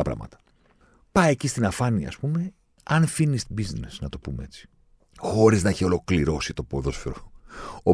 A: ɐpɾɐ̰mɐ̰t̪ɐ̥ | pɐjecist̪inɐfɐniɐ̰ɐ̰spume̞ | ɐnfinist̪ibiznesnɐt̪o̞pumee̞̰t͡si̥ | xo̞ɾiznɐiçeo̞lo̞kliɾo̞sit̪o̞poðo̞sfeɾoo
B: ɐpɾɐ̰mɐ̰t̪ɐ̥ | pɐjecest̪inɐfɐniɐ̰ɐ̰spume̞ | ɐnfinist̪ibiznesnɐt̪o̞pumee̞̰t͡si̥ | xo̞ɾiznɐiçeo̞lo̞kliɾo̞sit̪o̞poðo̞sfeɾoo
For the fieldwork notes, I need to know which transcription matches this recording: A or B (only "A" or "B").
A